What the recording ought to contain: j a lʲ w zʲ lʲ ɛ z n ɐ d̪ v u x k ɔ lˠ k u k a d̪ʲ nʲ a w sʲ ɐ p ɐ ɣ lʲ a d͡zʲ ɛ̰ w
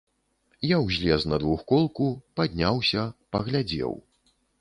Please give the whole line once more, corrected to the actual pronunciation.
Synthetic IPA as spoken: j a w zʲ lʲ ɛ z n ɐ d̪ v u x k ɔ lˠ k u p a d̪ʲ nʲ a w sʲ ɐ p ɐ ɣ lʲ a d͡zʲ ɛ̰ w